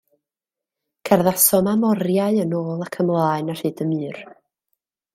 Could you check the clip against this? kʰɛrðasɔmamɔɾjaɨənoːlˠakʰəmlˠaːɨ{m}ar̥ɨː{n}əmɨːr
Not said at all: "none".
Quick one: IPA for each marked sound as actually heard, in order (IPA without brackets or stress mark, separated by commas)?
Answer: n, d